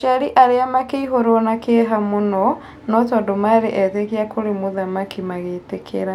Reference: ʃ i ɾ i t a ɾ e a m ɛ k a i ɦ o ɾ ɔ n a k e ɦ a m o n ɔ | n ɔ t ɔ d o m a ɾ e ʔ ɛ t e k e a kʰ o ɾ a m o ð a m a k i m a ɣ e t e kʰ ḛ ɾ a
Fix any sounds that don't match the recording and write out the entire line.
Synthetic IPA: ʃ a ɾ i ʔ a ɾ e a m a k e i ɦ o ɾ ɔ n a k e ɦ a m o n ɔ | n ɔ t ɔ d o m a ɾ e ʔ ɛ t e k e a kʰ o ɾ e m o ð a m a k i m a ɣ e t e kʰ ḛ ɾ a